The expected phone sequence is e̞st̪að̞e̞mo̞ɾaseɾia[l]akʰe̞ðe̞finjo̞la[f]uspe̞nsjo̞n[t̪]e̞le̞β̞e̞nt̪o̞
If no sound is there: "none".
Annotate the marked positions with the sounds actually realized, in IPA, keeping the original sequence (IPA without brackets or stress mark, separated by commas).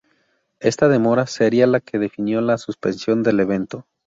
l, s, d̪